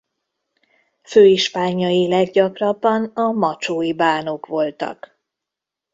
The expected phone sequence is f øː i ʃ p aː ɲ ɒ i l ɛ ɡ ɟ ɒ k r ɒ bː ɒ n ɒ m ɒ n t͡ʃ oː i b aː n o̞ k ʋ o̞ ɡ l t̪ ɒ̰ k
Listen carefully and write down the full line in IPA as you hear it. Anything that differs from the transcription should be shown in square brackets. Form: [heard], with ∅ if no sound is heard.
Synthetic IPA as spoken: f øː i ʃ p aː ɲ ɒ i l ɛ ɡ ɟ ɒ k r ɒ bː ɒ n ɒ m ɒ [∅] t͡ʃ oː i b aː n o̞ k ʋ o̞ [∅] l t̪ ɒ̰ k